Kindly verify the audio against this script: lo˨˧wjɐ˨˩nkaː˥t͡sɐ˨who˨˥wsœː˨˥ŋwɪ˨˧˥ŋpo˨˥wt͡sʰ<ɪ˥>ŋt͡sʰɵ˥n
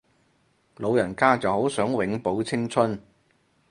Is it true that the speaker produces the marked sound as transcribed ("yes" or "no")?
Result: yes